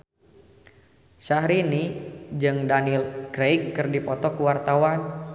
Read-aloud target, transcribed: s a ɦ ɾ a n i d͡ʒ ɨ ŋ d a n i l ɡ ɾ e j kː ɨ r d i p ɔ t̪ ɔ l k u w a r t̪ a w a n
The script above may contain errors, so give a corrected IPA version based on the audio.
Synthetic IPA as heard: s a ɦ ɾ i n i d͡ʒ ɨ ŋ d a n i l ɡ ɾ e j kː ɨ r d i p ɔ t̪ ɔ k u w a r t̪ a w a n